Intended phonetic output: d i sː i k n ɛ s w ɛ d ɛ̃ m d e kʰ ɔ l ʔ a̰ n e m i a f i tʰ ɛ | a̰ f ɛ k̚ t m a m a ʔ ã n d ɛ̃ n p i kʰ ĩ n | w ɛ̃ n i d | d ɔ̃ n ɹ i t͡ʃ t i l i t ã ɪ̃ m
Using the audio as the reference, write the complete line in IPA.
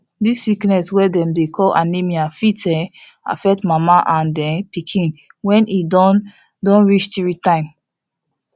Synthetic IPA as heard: d i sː i k n ɛ s w ɛ d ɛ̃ m d e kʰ ɔ l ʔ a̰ n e m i a f i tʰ ɛ | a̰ f ɛ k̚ t m a m a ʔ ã n d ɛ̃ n p i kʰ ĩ n | w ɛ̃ n i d | d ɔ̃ n ɹ i t͡ʃ t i ɹ i t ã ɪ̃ m